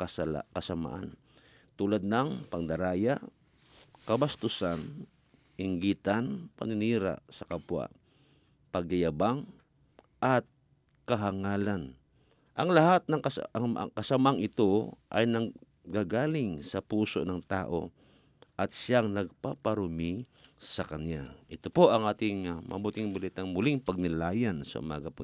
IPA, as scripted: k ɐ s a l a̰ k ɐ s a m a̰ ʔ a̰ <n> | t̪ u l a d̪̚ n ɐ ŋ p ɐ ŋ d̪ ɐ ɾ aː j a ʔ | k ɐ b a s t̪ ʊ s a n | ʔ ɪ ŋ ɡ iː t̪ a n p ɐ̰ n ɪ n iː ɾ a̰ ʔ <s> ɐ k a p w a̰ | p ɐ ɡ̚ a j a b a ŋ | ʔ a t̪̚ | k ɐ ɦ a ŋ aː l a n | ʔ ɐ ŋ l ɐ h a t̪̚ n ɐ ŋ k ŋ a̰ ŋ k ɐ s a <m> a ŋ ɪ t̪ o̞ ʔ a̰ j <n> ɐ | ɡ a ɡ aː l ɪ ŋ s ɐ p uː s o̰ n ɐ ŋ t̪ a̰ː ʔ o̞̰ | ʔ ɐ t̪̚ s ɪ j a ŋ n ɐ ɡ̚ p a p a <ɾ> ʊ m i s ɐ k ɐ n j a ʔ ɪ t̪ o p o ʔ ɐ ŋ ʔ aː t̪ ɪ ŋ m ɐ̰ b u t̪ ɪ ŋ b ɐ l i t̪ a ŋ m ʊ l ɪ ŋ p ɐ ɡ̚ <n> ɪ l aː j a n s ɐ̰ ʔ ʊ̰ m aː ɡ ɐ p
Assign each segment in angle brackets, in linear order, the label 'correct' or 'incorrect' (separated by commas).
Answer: correct, correct, correct, correct, correct, correct